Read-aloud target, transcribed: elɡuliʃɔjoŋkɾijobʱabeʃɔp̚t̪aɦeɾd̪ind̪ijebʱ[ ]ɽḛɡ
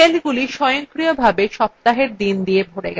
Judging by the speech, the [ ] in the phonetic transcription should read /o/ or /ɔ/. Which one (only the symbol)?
o